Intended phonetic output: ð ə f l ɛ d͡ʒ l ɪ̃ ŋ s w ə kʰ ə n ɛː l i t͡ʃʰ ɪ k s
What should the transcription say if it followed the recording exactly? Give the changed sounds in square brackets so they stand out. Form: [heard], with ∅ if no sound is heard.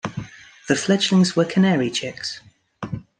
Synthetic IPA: ð ə f l ɛ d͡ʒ l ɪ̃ ŋ [z] w ə kʰ ə n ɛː [ɹ] i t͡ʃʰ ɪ k s